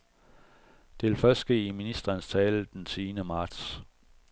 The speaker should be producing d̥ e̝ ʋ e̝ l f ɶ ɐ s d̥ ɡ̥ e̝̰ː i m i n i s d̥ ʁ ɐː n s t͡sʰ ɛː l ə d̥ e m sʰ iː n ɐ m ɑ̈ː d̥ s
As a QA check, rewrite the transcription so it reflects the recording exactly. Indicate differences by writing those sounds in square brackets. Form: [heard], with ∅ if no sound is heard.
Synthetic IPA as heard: d̥ e̝ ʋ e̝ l f ɶ ɐ s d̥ ɡ̥ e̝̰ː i m i n i s d̥ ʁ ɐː n s t͡sʰ ɛː l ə d̥ e [n] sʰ iː n [ə] m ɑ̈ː d̥ s